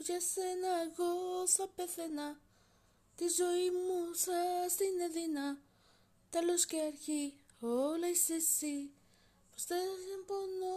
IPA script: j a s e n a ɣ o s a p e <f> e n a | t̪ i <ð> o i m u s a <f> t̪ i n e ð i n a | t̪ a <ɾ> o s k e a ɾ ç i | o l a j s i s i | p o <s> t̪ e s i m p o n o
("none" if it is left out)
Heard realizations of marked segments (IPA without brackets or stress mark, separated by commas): θ, z, s, l, s